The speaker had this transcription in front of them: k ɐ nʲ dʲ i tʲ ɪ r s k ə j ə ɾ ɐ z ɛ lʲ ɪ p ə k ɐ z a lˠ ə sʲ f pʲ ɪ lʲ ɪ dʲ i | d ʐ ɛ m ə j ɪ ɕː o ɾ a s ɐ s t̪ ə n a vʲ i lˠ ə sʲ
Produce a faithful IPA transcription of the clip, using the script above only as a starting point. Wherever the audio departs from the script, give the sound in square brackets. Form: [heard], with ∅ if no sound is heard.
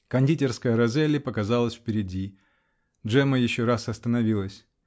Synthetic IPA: k ɐ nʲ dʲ i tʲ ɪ r s k ə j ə ɾ ɐ z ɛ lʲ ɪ p ə k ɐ z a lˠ ə sʲ f pʲ ɪ [ɾʲ] ɪ dʲ i | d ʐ ɛ m ə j ɪ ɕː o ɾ a s ɐ s t̪ ə n [ɐ] vʲ i lˠ ə sʲ